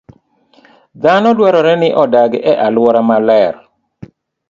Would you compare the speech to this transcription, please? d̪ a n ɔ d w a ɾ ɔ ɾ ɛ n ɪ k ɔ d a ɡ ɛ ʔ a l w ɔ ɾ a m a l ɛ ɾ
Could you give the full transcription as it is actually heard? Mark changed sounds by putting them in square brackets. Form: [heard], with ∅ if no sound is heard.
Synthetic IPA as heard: d̪ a n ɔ d w a ɾ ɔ ɾ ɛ n ɪ [ʔ] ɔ d a ɡ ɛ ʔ a l w ɔ ɾ a m a l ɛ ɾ